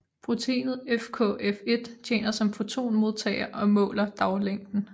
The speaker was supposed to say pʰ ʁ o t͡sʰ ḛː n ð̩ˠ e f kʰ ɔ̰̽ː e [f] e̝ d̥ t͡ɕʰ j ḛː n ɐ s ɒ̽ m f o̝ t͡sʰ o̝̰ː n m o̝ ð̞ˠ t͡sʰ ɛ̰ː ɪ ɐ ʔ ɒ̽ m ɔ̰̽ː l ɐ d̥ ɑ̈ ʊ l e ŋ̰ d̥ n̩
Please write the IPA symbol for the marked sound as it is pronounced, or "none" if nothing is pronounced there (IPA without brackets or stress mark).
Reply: f